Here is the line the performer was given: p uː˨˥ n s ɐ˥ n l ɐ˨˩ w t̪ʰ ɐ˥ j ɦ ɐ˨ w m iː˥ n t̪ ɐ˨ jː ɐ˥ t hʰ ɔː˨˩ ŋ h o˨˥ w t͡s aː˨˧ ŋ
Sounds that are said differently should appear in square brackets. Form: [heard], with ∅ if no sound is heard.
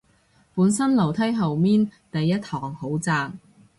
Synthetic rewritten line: p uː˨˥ n s ɐ˥ n l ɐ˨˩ w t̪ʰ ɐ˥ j ɦ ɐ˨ w m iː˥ n t̪ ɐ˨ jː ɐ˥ t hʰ ɔː˨˩ ŋ h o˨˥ w t͡s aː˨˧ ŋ